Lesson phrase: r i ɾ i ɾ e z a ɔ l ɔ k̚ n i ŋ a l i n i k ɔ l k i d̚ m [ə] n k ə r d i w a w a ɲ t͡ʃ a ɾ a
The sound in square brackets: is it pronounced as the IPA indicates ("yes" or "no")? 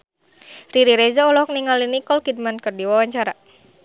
no